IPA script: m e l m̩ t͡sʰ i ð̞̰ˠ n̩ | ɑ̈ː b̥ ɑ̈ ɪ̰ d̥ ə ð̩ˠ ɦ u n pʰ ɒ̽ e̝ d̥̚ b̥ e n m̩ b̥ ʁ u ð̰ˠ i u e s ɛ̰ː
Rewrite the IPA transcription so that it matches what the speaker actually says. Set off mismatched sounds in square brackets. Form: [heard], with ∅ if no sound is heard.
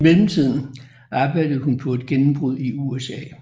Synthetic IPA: m e l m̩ t͡sʰ i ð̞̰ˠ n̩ | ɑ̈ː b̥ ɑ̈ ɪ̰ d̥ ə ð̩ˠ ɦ u n pʰ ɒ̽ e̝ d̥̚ [ɡ̥] e n m̩ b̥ ʁ u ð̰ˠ i u e s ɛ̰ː